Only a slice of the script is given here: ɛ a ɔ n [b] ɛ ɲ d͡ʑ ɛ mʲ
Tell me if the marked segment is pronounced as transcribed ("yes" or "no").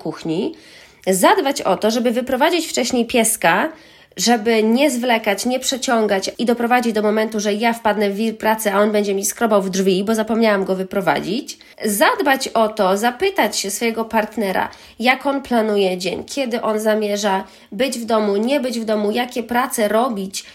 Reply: yes